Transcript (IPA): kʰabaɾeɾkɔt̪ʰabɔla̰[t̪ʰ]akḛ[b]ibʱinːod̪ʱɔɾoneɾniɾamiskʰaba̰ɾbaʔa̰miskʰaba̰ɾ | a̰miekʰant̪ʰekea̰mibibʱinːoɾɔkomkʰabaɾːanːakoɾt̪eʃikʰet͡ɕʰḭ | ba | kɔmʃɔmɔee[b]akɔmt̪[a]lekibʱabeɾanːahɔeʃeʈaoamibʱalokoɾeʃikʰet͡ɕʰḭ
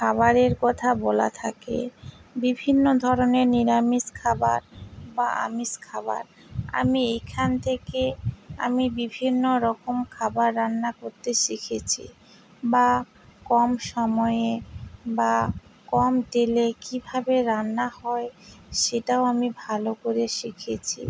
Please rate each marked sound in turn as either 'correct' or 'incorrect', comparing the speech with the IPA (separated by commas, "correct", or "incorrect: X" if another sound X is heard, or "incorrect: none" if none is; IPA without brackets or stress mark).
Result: correct, correct, correct, incorrect: e